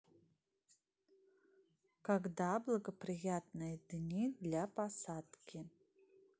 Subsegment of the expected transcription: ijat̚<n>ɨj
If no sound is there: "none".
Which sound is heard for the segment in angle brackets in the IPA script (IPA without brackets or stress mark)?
n